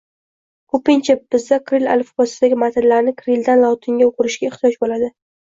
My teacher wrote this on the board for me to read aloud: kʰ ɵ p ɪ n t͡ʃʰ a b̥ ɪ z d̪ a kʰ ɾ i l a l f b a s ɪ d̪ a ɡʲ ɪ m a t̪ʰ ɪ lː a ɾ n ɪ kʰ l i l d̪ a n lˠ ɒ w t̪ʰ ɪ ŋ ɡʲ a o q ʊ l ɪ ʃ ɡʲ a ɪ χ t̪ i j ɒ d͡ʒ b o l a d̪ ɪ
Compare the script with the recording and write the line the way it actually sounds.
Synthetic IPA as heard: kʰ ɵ p ɪ n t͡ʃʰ a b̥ ɪ z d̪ a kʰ ɾ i l a l f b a s ɪ d̪ a ɡʲ ɪ m a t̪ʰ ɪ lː a ɾ n ɪ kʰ ɾ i l d̪ a n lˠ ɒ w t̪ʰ ɪ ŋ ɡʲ a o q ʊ ɾ ɪ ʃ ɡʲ a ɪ χ t̪ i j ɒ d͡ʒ b o l a d̪ ɪ